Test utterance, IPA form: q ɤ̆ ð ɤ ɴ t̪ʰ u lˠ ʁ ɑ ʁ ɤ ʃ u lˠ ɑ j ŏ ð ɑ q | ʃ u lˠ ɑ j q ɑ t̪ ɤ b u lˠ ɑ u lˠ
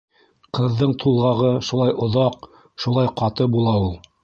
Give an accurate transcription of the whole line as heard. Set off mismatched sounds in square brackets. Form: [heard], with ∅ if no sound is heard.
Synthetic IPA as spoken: q ɤ̆ [ðː] ɤ ɴ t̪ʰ u lˠ ʁ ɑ ʁ ɤ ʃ u lˠ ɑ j ŏ ð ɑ q | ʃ u lˠ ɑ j q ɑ t̪ ɤ b u lˠ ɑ u lˠ